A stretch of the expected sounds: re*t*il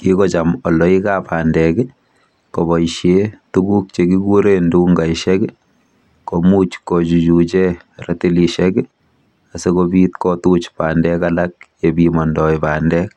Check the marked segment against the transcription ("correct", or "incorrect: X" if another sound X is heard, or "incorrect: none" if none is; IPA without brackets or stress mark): correct